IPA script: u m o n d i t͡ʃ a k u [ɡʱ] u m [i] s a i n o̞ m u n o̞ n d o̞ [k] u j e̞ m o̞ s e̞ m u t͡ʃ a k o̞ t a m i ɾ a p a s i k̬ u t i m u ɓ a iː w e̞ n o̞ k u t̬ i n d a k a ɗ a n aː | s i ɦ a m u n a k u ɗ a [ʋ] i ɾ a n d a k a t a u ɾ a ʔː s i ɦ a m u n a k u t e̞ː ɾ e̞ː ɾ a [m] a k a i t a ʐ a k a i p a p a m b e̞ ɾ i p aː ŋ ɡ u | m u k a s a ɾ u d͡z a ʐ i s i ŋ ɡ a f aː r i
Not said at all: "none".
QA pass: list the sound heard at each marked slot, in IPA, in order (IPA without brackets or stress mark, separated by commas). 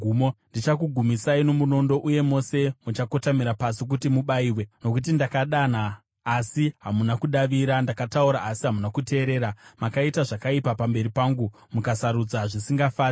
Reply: ɡʱ, i, ʔ, ʋ, m